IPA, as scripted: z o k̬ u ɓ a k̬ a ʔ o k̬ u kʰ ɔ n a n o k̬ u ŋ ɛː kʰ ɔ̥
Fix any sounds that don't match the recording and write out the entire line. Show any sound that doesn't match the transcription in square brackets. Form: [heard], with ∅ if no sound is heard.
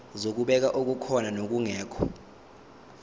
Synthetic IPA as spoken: z o k̬ u ɓ [ɛ] k̬ a ʔ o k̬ u kʰ ɔ n a n o k̬ u ŋ ɛː kʰ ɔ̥